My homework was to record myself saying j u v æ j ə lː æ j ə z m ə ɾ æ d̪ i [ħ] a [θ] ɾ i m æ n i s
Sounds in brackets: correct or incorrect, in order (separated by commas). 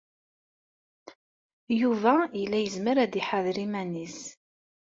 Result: correct, incorrect